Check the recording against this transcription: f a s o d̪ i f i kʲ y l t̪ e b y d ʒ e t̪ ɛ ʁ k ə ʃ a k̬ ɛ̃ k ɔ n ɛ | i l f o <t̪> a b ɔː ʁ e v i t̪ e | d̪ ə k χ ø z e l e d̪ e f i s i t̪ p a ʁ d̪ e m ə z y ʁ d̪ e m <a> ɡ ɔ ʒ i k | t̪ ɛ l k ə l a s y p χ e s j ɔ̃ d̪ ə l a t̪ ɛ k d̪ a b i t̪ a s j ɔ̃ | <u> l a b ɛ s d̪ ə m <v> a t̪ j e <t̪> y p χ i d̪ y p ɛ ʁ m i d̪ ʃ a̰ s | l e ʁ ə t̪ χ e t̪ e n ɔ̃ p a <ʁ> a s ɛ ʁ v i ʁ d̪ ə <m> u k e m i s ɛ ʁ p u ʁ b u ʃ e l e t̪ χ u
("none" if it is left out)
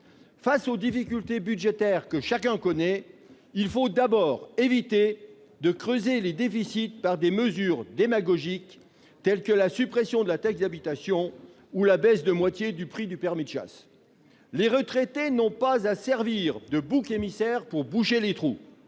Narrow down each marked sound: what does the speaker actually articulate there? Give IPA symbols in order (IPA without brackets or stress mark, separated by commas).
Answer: d̪, a, u, w, d̪, z, b